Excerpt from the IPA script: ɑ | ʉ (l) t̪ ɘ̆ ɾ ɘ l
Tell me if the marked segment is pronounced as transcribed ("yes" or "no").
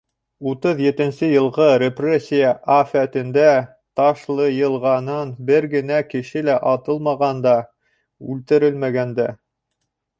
yes